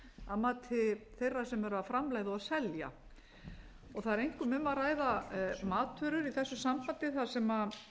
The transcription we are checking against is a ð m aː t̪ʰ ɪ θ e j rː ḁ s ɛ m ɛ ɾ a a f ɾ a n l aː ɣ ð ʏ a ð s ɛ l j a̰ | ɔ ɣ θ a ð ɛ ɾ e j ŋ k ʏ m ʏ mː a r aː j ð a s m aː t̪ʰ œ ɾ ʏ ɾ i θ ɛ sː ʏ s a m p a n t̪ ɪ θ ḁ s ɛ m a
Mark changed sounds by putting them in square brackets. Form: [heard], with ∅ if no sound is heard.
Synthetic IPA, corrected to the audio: a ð m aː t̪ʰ ɪ θ e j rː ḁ s ɛ m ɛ ɾ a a f ɾ a [m] l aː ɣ ð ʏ a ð s ɛ l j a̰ | ɔ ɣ θ a ð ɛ ɾ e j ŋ k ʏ m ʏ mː a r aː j ð a [∅] m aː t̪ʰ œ ɾ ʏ ɾ i θ ɛ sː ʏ s a m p a n t̪ ɪ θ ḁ s ɛ m a